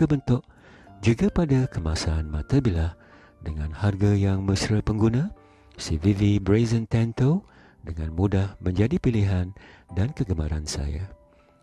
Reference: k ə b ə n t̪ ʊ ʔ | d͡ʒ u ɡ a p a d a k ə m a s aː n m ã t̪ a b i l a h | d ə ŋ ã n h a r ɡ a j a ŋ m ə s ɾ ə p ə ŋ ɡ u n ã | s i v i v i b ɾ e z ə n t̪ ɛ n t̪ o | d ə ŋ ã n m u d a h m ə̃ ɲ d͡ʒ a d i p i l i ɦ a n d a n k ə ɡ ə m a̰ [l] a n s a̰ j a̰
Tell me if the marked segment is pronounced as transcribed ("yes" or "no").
no